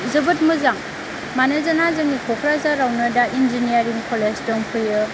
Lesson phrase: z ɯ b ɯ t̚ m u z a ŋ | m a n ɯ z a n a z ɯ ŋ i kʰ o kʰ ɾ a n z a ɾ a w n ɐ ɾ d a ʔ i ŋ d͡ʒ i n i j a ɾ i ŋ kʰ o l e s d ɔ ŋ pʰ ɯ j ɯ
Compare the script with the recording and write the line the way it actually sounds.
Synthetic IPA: z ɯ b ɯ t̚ m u z a ŋ | m a n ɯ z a n a z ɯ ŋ i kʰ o kʰ ɾ a z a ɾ a w n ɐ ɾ d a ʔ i n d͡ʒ i n i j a ɾ i ŋ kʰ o l e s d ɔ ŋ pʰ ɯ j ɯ